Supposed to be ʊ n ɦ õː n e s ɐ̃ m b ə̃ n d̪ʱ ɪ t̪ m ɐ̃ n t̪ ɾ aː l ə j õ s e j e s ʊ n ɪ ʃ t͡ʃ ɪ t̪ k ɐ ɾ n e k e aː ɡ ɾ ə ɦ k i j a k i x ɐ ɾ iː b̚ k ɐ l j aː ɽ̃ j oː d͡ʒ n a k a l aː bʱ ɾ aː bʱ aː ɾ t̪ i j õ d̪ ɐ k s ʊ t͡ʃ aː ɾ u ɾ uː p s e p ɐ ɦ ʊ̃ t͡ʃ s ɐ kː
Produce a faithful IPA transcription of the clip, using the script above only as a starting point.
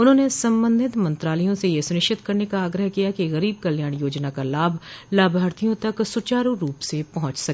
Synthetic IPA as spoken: ʊ n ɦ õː n e s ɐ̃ m b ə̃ n d̪ʱ ɪ t̪ m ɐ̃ n t̪ ɾ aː l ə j õ s e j e s ʊ n ɪ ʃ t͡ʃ ɪ t̪ k ɐ ɾ n e k a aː ɡ ɾ ə ɦ k i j a k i ɣ ɐ ɾ iː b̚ k ɐ l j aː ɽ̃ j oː d͡ʒ n a k a l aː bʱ l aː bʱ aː ɾ t̪ i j õ t̪ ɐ k s ʊ t͡ʃ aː ɾ u ɾ uː p s e p ɐ ɦ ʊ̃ t͡ʃ s ɐ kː

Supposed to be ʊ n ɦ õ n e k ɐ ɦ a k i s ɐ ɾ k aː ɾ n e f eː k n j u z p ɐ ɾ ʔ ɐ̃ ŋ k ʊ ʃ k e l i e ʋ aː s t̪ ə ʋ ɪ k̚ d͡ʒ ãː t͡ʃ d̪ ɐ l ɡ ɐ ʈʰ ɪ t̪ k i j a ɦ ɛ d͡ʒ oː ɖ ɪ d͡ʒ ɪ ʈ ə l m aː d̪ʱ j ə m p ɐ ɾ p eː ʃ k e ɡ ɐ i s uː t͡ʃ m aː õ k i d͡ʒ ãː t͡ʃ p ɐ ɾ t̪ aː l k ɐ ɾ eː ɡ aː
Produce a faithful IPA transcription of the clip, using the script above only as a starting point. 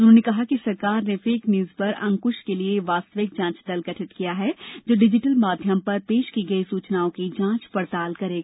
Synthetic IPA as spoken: ʊ n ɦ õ n e k ɐ ɦ a k i s ɐ ɾ k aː ɾ n e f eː k n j uː z p ɐ ɾ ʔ ɐ̃ ŋ k ʊ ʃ k e l i e ʋ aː s t̪ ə ʋ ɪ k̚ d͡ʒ ãː t͡ʃ d̪ ɐ l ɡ ɐ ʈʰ ɪ t̪ k i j a ɦ ɛ d͡ʒ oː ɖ ɪ d͡ʒ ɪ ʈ ə l m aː d̪ʱ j ə m p ɐ ɾ p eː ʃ k i ɡ ɐ i s uː t͡ʃ n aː õ k i d͡ʒ ãː t͡ʃ p ɐ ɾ t̪ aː l k ɐ ɾ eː ɡ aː

